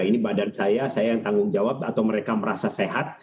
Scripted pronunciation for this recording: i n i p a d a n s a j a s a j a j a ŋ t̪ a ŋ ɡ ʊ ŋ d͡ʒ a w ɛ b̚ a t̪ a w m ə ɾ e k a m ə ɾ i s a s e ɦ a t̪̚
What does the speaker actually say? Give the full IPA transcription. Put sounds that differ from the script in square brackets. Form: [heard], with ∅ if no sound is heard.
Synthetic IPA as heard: i n i [b] a d a n s a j a s a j a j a ŋ t̪ a ŋ ɡ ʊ ŋ d͡ʒ a w [a] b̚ a t̪ a w m ə ɾ e k a m ə ɾ [a] s a s e ɦ a t̪̚